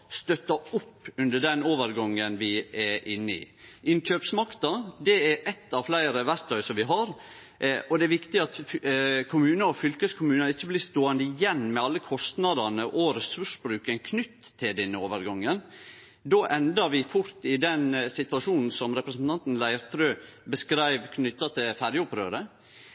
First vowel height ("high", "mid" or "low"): mid